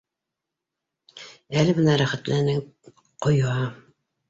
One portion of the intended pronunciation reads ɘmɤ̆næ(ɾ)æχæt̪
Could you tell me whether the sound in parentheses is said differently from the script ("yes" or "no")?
no